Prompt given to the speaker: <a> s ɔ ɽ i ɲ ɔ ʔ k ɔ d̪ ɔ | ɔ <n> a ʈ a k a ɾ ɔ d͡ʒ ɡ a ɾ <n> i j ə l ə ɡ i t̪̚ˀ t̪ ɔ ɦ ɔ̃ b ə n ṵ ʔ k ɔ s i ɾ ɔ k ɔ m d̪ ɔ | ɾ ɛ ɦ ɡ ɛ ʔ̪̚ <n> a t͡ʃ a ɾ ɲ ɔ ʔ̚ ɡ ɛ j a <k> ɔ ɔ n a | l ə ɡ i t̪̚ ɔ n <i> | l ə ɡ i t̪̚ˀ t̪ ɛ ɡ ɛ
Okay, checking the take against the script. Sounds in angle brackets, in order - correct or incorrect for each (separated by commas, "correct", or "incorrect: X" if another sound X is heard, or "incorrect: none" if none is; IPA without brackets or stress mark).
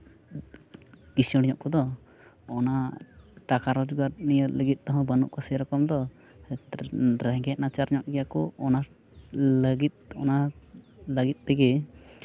incorrect: i, correct, correct, correct, correct, incorrect: a